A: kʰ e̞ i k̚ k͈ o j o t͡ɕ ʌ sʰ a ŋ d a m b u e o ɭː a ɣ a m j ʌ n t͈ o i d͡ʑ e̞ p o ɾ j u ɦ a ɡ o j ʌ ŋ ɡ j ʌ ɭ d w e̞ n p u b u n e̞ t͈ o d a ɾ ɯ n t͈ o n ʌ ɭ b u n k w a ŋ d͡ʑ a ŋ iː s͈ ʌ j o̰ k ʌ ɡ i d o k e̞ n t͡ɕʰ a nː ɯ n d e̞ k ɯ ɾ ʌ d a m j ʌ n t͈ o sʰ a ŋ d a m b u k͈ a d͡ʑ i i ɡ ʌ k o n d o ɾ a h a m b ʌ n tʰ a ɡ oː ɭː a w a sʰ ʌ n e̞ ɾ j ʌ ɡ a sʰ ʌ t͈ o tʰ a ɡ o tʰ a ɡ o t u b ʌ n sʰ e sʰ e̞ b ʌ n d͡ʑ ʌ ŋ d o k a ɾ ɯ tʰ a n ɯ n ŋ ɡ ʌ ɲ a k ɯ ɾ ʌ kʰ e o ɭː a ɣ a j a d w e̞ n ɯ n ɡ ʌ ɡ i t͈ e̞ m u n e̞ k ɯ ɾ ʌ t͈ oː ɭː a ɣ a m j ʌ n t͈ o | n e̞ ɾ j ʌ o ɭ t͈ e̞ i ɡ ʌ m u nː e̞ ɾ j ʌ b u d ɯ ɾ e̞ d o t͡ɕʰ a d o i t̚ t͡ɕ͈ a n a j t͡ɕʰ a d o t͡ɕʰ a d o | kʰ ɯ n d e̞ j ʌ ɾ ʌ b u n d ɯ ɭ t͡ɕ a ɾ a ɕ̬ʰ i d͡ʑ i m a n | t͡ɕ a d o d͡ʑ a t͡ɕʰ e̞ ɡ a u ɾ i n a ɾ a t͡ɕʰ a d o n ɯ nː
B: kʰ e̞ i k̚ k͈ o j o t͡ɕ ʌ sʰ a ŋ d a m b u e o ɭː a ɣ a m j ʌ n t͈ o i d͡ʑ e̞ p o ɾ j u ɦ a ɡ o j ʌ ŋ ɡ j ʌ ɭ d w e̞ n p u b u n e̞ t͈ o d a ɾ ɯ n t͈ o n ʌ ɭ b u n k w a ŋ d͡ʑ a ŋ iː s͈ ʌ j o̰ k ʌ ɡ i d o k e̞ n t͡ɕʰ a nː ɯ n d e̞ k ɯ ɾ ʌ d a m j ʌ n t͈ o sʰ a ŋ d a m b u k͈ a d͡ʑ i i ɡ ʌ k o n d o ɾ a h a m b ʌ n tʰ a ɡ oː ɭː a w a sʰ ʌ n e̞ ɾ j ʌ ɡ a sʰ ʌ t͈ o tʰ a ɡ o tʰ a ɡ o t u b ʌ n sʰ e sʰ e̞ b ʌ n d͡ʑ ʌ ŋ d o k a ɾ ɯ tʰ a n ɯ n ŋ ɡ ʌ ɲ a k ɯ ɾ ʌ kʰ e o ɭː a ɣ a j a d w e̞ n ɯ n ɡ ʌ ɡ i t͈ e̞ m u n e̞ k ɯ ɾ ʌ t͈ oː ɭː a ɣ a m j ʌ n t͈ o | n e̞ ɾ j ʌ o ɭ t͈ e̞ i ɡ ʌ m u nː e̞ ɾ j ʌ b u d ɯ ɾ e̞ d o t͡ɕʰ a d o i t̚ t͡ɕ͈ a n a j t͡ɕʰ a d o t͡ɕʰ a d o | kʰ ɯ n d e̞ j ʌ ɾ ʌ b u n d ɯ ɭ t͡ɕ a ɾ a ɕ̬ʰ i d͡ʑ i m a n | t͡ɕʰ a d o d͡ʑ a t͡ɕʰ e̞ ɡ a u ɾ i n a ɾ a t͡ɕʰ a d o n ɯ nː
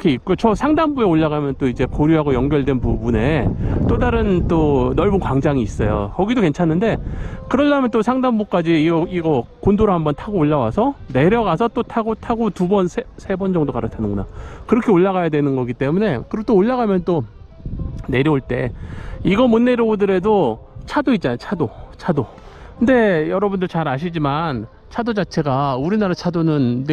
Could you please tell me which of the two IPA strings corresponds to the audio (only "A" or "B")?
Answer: B